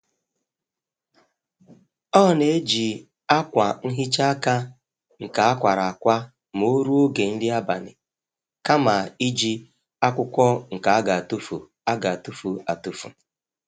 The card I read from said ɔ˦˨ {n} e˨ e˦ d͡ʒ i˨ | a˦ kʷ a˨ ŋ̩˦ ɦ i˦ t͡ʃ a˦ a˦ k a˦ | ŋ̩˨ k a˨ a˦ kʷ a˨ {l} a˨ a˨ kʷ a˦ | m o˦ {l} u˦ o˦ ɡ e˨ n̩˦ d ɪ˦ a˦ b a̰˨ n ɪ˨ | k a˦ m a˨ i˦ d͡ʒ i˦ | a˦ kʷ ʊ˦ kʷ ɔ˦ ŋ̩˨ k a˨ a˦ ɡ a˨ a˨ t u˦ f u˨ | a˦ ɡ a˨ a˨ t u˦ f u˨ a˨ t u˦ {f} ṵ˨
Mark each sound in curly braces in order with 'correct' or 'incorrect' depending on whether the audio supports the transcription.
correct, incorrect: ɾ, incorrect: ɾ, correct

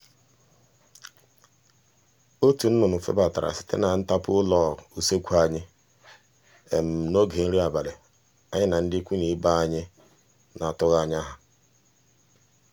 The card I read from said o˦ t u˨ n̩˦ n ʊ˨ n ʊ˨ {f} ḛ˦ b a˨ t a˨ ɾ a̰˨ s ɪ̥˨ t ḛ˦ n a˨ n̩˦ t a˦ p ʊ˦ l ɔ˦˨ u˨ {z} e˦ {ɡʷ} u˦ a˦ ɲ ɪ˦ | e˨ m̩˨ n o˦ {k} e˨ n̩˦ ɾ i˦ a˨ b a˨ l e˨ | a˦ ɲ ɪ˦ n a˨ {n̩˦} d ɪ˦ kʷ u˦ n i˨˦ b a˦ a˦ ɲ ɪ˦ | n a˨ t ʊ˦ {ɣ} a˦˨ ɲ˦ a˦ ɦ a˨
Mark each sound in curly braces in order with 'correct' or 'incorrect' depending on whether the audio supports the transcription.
correct, incorrect: s, incorrect: kʷ, incorrect: ɡ, correct, correct

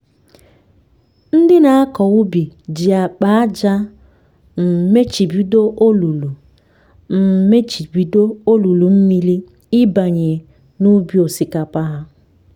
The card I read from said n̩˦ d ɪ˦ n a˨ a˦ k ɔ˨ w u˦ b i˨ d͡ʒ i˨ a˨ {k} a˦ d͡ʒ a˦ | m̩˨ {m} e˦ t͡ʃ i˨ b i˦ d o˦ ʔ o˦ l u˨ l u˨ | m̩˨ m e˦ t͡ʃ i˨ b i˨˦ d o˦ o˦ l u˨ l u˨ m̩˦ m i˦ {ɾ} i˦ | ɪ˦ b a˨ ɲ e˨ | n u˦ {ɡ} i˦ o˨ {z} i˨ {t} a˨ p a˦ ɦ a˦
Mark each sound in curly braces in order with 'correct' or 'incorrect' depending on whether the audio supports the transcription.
incorrect: k͡p, correct, incorrect: l, incorrect: b, incorrect: s, incorrect: k

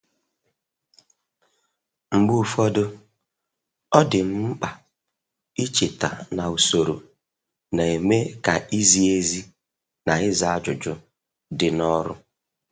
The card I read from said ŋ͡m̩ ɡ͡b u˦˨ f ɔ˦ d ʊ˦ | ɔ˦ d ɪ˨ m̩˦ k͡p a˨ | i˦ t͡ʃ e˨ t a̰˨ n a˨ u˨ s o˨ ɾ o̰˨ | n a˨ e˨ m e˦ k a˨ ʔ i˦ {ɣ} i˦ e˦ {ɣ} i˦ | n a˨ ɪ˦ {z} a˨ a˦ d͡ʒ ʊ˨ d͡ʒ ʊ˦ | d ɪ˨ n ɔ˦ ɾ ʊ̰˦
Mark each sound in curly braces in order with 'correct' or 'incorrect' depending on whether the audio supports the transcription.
incorrect: z, incorrect: z, correct

